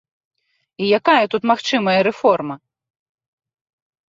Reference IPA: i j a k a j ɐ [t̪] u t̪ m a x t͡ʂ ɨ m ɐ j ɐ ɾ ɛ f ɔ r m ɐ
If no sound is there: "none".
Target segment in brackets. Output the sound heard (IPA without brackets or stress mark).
t̪